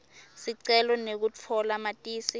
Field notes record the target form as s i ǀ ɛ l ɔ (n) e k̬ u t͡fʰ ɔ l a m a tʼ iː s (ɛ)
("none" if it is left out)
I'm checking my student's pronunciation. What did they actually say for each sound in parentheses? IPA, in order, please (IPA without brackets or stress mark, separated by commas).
n, i